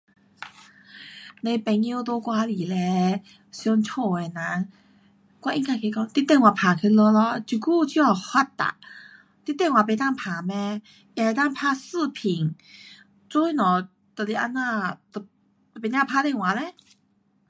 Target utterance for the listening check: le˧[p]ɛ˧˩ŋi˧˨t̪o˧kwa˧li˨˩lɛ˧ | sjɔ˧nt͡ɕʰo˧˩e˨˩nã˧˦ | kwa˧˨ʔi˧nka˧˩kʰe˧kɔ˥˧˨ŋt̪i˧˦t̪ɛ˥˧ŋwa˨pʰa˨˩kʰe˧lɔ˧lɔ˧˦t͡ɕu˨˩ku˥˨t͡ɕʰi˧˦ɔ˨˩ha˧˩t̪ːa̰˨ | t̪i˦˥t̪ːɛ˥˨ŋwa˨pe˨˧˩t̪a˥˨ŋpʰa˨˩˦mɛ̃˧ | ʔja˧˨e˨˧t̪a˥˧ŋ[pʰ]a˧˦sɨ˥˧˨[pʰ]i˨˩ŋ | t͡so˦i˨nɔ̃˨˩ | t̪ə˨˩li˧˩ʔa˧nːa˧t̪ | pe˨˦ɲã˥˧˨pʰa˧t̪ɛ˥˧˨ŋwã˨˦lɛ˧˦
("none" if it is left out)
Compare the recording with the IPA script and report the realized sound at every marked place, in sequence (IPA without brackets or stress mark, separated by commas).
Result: p, pʰ, pʰ